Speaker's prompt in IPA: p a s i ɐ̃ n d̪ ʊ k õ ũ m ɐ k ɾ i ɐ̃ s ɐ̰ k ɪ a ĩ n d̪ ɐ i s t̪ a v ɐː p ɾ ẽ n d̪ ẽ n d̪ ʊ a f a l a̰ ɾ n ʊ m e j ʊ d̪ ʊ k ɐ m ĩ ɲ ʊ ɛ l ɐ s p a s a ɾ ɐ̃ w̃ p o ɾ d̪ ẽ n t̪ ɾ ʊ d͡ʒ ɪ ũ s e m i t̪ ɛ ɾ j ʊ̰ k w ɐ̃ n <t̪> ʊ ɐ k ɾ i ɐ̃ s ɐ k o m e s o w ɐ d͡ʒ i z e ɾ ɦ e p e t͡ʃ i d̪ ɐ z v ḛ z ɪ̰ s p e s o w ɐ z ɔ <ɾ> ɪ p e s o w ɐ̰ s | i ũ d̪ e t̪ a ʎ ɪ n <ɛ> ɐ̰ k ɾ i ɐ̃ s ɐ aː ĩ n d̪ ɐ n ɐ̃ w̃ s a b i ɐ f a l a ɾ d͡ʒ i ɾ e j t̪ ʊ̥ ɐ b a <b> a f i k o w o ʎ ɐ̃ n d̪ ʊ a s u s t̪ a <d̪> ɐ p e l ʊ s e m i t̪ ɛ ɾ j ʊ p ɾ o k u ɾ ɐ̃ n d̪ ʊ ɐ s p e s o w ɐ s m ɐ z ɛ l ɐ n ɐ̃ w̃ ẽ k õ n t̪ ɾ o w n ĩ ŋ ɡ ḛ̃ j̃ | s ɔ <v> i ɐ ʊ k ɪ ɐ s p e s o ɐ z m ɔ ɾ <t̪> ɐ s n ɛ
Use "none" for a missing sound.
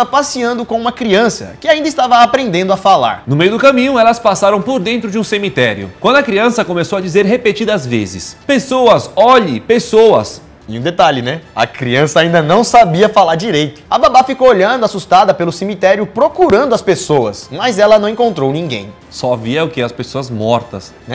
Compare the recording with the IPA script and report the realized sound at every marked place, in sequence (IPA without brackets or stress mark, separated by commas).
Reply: d̪, ʎ, ɛ, b, d̪, v, t̪